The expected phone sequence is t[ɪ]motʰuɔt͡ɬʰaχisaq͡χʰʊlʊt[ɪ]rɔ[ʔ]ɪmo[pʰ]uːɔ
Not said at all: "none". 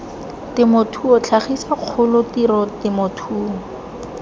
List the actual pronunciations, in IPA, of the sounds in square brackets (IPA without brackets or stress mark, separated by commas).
ɪ, i, t, tʰ